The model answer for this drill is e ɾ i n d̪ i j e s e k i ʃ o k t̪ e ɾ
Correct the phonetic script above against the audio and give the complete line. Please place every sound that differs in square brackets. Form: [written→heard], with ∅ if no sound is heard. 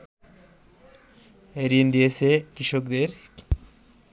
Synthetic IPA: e ɾ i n d̪ i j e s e k i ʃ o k [t̪→d̪] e ɾ

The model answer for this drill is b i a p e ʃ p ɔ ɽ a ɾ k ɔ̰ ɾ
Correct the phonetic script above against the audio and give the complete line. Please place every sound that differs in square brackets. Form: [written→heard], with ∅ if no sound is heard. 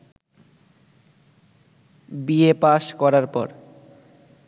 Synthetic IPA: b i [a→e] p [e→a] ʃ [p→k] ɔ [ɽ→ɾ] a ɾ [k→p] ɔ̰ ɾ

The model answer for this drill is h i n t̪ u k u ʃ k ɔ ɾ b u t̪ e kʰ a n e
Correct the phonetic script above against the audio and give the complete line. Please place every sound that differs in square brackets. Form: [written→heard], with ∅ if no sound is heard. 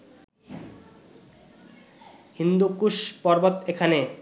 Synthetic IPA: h i n [t̪→d̪] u k u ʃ [k→p] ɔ ɾ b [u→o] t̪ e kʰ a n e

